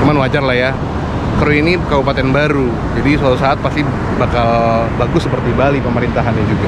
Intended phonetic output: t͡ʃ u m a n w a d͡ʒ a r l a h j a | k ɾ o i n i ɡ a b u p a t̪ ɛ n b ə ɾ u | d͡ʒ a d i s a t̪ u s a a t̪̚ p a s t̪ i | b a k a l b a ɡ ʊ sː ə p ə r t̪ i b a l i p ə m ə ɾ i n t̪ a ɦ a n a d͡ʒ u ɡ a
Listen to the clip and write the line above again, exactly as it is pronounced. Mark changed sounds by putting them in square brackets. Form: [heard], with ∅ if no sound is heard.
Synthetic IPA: t͡ʃ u m a n w a d͡ʒ a r l a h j a | k ɾ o i n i [k] a b u p a t̪ ɛ n b [a] ɾ u | d͡ʒ a d i s a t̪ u s a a t̪̚ p a s t̪ i | b a k a l b a ɡ ʊ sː ə p ə r t̪ i b a l i p ə m ə ɾ i n t̪ a ɦ a n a d͡ʒ u ɡ a